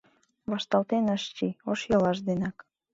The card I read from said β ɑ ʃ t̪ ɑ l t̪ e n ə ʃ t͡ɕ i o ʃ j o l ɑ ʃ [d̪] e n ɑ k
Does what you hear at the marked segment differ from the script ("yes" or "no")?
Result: no